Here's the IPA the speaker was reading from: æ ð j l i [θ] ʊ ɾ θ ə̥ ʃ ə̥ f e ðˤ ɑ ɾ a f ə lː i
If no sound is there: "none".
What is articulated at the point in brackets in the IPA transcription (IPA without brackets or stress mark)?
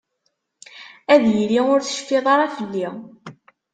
none